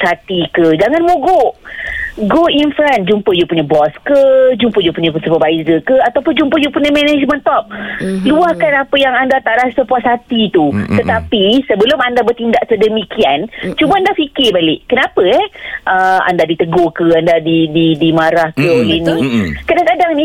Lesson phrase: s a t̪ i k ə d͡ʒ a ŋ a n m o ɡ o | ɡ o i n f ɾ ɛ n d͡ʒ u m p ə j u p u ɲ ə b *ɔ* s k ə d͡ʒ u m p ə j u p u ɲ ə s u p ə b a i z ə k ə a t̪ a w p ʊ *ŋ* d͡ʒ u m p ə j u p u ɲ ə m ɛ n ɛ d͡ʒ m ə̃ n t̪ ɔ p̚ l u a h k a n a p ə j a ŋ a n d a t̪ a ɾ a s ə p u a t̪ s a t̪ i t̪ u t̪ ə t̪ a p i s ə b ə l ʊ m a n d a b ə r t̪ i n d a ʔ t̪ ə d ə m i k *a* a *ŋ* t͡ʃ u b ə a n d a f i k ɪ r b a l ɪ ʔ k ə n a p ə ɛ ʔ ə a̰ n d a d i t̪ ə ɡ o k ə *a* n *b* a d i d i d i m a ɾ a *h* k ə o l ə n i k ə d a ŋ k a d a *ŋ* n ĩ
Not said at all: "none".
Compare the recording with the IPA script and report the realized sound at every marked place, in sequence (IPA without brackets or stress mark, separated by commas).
ɔ, n, i, n, a, d, h, ŋ